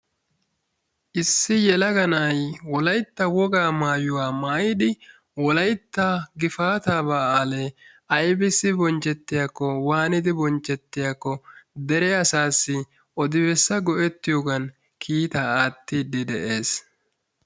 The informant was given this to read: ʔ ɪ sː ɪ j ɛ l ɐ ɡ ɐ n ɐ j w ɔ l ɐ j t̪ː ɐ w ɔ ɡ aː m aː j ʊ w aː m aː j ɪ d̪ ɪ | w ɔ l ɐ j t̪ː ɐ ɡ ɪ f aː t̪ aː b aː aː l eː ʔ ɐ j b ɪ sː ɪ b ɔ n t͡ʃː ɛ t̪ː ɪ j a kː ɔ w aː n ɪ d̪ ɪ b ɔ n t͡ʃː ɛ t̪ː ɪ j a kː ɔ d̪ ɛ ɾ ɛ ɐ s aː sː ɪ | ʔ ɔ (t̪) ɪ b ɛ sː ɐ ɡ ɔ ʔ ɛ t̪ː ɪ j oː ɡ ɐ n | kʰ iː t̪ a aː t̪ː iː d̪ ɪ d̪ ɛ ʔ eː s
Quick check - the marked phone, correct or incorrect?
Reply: incorrect